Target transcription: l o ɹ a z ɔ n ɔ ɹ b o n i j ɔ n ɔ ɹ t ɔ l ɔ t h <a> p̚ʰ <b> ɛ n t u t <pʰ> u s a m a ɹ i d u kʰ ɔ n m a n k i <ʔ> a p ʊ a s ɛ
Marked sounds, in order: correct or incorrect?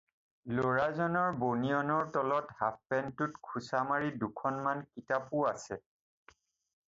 correct, incorrect, incorrect, incorrect

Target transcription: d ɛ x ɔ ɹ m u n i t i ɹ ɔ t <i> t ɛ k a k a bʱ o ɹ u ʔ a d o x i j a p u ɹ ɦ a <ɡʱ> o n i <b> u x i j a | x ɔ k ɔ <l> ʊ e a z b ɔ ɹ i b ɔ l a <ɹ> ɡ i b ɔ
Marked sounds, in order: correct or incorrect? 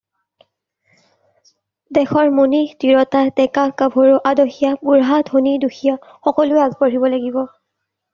incorrect, incorrect, incorrect, correct, incorrect

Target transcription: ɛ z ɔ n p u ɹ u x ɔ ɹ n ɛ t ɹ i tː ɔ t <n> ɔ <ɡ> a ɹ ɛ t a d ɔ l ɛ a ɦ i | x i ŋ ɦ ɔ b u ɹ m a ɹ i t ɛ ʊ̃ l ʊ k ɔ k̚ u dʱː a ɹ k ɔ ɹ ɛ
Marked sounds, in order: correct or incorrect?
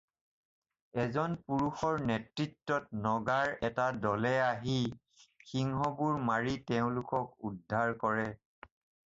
correct, correct

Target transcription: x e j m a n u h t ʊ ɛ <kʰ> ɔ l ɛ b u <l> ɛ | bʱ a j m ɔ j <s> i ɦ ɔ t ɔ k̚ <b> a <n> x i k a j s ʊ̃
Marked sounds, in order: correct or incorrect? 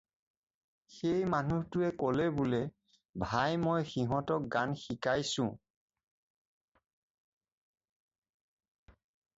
incorrect, correct, incorrect, incorrect, correct

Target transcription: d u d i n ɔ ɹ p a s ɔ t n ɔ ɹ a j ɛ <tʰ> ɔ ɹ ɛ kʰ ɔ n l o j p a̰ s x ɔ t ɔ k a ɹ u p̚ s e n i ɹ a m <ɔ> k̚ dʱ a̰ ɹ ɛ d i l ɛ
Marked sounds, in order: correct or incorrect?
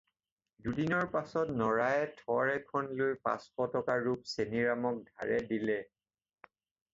correct, correct

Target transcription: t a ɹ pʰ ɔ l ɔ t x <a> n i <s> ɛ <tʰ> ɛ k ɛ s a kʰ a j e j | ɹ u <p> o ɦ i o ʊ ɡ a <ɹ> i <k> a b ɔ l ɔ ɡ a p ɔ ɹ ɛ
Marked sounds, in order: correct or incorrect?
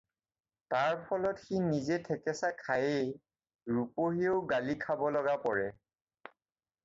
incorrect, incorrect, correct, correct, incorrect, incorrect

